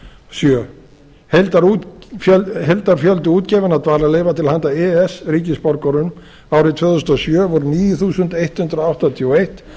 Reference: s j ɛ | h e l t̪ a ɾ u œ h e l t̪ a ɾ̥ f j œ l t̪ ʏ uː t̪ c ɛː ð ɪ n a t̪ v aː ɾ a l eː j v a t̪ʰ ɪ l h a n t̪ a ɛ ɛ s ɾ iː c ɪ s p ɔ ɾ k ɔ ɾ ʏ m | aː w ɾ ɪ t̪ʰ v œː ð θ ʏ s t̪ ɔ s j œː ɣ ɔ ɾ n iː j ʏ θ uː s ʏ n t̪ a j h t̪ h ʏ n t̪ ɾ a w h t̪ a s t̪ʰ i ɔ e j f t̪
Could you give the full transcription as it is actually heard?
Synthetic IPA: s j œ | h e l t̪ a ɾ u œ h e l t̪ a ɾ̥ f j œ l t̪ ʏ uː t̪ c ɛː v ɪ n a t̪ v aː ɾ a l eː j v a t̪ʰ ɪ l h a n t̪ a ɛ ɛ s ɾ iː c ɪ s p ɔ ɾ k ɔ ɾ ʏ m | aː w ɾ ɪ t̪ʰ v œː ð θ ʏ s t̪ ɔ s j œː v ɔ ɾ n iː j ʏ θ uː s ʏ n t̪ e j h t̪ h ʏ n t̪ ɾ a w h t̪ a t̪ʰ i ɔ e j h t̪